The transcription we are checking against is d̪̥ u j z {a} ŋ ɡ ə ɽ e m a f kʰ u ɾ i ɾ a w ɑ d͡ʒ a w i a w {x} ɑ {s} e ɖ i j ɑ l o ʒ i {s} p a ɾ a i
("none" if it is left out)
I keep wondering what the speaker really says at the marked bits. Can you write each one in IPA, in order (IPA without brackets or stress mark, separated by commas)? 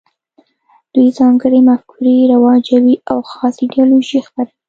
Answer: ɑ, x, s, x